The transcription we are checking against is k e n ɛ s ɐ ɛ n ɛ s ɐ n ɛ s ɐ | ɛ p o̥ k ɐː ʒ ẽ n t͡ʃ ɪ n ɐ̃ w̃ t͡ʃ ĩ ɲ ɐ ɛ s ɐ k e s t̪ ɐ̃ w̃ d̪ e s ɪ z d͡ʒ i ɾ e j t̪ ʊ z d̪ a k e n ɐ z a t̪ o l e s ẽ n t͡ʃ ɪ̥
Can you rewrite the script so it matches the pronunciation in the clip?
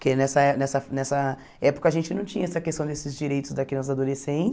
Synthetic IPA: k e n ɛ s ɐ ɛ n ɛ s ɐ n ɛ s ɐ | ɛ p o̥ k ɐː ʒ ẽ n t͡ʃ ɪ n ɐ̃ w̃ t͡ʃ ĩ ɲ ɐ ɛ s ɐ k e s t̪ ɐ̃ w̃ d̪ e s ɪ z d͡ʒ i ɾ e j t̪ ʊ z d̪ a k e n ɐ z a d̪ o l e s ẽ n t͡ʃ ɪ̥